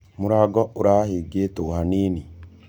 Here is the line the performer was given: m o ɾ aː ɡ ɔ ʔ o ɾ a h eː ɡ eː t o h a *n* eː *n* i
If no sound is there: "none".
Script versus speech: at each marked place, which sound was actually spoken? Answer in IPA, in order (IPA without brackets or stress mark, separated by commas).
n, n